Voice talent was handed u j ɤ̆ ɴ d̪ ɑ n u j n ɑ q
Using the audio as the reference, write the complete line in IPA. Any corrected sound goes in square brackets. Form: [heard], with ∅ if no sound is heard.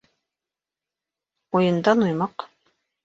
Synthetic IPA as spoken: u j ɤ̆ [n] d̪ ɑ n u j [m] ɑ q